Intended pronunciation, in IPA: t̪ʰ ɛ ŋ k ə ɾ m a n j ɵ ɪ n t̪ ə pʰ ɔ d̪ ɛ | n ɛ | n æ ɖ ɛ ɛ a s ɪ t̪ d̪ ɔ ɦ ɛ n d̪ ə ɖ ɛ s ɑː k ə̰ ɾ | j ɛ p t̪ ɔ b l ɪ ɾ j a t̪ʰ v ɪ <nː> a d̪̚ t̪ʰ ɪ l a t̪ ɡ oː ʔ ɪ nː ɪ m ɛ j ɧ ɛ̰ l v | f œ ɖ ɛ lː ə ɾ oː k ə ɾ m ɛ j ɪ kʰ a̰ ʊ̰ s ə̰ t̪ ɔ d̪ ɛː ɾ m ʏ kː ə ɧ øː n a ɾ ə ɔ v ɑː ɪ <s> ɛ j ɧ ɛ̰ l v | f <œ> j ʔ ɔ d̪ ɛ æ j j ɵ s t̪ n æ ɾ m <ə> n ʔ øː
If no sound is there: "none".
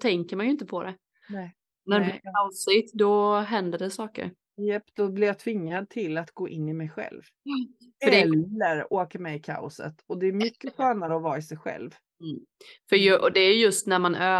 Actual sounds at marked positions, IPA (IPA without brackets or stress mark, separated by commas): ŋː, s, œ, a